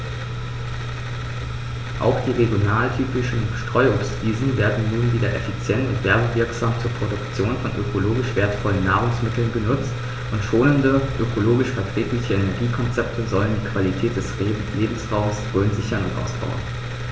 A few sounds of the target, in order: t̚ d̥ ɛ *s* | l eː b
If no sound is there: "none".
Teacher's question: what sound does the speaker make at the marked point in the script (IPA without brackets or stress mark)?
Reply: s